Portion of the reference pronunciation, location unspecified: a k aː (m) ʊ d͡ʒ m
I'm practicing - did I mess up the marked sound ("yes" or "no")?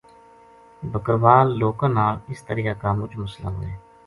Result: no